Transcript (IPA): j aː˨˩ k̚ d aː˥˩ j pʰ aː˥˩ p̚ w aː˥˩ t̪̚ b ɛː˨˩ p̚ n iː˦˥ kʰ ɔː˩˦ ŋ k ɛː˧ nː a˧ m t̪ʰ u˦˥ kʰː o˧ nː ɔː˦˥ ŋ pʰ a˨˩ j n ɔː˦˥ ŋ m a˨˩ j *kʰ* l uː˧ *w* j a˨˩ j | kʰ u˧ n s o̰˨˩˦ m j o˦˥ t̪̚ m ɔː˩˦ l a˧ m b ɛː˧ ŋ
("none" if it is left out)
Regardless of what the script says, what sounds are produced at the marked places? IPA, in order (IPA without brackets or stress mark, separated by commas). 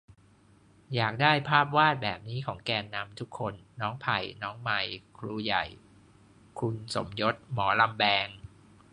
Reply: kʰ, none